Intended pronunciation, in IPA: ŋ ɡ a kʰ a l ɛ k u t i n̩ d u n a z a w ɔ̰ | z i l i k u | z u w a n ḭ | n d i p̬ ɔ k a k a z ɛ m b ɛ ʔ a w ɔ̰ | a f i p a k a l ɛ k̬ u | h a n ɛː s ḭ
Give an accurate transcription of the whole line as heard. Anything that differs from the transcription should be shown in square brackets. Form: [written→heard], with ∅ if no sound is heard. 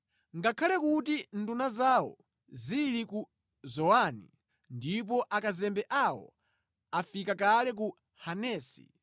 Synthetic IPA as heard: ŋ ɡ a kʰ a l ɛ k u t i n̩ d u n a z a w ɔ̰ | z i l i k u | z [u→ɔ] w a n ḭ | n d i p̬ ɔ [k→ʔ] a k a z ɛ m b ɛ ʔ a w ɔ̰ | a f i [p→k] a k a l ɛ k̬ u | h a n ɛː s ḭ